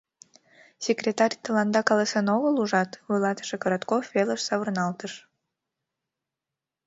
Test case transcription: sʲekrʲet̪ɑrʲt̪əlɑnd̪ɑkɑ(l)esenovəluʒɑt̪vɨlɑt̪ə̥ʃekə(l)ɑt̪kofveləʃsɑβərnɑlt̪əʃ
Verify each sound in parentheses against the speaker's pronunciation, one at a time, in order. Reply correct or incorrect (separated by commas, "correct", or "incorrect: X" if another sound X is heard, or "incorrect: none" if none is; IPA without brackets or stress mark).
correct, incorrect: ɾ